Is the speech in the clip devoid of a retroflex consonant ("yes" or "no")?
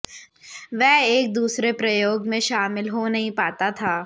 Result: yes